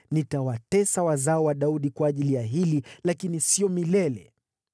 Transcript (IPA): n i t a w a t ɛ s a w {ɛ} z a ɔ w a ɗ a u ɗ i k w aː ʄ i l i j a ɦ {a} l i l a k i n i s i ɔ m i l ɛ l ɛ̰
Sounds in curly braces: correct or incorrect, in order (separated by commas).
incorrect, incorrect